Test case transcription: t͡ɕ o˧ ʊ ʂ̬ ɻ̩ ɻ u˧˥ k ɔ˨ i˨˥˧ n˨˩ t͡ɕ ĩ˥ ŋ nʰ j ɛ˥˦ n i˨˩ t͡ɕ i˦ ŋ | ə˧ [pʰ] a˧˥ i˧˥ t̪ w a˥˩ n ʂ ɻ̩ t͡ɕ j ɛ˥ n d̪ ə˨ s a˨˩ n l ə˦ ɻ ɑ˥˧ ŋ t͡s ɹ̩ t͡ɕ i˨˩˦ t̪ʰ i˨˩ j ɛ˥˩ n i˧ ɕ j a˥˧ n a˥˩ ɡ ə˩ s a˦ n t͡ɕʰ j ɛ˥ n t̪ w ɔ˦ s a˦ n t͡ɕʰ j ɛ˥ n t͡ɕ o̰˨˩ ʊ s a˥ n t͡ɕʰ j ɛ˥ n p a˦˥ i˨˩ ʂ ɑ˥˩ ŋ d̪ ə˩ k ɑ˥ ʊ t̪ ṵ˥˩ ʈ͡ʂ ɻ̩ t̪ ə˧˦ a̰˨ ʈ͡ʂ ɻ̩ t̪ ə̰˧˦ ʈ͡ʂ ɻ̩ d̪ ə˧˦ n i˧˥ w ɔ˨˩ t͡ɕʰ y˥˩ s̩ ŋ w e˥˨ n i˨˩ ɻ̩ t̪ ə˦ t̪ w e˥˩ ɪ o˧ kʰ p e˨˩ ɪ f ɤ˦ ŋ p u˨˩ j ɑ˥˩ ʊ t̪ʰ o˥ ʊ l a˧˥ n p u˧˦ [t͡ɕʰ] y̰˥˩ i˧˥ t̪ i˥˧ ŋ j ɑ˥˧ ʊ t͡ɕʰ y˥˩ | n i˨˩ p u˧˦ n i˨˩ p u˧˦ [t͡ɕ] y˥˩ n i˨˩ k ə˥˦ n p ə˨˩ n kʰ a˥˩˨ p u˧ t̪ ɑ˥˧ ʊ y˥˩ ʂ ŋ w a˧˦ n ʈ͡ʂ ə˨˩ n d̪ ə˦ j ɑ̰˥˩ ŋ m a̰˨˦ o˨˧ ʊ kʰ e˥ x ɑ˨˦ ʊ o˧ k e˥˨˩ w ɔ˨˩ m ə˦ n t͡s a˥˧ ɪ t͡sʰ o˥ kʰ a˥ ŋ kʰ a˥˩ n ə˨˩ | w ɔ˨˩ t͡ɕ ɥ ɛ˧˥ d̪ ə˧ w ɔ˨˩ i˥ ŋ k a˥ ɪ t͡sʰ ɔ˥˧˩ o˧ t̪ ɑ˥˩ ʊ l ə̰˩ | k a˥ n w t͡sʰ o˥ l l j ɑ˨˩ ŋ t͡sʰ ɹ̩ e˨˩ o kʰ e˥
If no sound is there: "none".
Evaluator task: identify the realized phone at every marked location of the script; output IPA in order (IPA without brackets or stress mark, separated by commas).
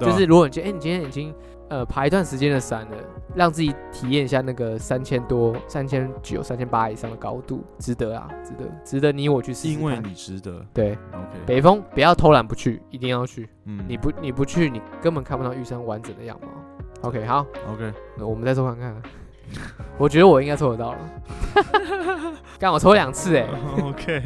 pʰ, t͡ɕʰ, t͡ɕʰ